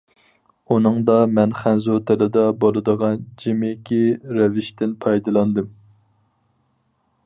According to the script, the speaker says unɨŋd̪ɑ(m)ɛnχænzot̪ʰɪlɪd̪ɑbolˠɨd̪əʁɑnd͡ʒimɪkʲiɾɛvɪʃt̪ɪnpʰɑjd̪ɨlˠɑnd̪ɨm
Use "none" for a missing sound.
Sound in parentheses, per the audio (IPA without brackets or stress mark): m